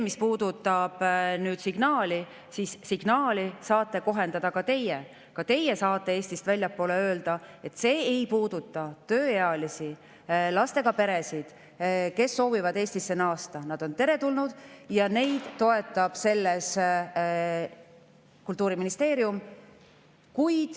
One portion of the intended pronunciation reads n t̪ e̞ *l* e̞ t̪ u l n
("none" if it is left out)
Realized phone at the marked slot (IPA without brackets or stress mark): ɾ